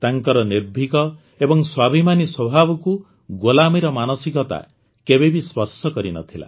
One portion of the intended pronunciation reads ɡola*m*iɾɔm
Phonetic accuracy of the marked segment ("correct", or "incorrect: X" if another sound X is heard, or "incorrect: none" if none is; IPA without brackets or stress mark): correct